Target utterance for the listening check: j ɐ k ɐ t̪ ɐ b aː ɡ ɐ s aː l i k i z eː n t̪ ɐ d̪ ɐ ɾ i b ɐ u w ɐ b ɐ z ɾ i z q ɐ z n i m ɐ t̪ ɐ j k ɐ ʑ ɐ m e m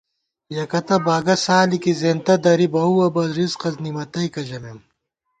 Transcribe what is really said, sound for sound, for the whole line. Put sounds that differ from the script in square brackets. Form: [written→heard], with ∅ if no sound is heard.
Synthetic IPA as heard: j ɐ k ɐ t̪ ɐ b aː ɡ ɐ s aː l i k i z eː n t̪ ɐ d̪ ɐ ɾ i b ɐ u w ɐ b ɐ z ɾ i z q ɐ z n i m ɐ t̪ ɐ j k ɐ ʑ ɐ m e m